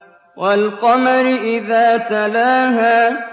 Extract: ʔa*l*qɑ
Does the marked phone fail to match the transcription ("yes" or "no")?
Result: no